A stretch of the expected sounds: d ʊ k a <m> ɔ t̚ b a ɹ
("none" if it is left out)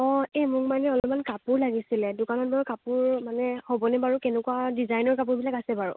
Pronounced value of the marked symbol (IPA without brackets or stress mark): n